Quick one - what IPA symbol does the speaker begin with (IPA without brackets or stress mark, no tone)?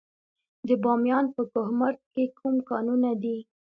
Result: d̪